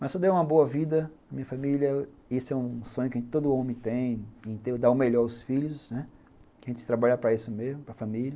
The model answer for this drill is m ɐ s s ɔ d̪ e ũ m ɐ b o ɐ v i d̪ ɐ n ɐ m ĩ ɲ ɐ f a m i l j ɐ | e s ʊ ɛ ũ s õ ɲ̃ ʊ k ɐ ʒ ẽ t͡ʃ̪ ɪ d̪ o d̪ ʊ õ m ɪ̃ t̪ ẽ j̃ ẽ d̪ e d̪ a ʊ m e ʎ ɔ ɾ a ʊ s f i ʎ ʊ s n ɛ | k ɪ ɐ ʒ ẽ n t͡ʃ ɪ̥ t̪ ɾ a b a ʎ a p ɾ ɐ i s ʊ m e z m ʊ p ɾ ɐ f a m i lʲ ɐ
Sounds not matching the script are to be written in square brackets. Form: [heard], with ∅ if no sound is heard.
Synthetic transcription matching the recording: m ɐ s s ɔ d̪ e ũ m ɐ b o ɐ v i d̪ ɐ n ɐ m ĩ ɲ ɐ f a m i l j ɐ | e s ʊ ɛ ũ s õ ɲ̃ ʊ k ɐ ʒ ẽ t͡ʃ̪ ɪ [t̪] o d̪ ʊ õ m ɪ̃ t̪ ẽ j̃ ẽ [t̪] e d̪ a ʊ m e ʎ ɔ ɾ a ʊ s f i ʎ ʊ s n ɛ | k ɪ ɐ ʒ ẽ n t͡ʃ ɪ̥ t̪ ɾ a b a ʎ a p ɾ ɐ i s ʊ m e z m ʊ p ɾ ɐ f a m i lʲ ɐ